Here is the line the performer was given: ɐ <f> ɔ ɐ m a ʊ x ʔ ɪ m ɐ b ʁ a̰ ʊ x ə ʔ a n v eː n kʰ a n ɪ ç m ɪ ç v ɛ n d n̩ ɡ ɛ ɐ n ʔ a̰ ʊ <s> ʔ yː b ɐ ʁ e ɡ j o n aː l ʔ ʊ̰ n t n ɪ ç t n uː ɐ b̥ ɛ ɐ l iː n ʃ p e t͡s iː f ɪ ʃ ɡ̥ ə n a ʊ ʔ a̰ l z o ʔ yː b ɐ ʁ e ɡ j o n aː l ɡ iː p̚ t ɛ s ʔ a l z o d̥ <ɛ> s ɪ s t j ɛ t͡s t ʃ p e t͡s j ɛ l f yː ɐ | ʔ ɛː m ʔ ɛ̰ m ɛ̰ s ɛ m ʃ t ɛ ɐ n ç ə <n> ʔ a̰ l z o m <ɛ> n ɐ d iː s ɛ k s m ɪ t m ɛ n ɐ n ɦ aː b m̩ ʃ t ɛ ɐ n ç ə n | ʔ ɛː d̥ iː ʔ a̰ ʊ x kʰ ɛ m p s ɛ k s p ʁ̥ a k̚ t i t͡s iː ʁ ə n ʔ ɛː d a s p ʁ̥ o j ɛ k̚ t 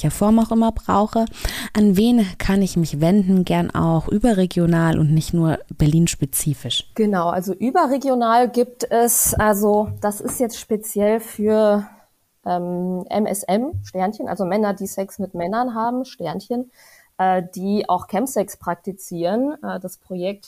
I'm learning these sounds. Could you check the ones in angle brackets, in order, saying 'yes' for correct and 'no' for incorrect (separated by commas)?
yes, no, no, yes, yes